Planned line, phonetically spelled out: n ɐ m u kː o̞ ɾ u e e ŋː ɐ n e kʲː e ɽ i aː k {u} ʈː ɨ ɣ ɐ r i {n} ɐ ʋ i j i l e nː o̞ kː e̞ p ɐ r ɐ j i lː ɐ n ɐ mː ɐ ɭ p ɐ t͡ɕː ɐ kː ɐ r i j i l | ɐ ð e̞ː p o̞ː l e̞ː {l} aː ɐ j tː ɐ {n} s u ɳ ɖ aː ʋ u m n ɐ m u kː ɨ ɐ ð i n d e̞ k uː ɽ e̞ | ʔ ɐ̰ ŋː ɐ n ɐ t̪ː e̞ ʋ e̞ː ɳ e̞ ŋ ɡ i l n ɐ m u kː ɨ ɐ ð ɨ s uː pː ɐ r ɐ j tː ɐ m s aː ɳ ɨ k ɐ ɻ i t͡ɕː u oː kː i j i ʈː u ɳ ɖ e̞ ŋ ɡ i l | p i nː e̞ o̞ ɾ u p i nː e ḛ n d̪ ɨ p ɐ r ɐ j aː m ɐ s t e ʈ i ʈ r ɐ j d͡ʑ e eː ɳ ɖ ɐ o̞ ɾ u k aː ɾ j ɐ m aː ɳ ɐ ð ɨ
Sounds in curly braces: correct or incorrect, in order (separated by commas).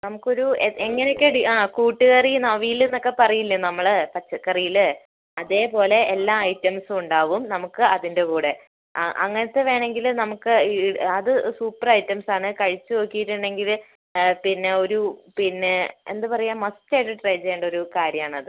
incorrect, correct, incorrect, incorrect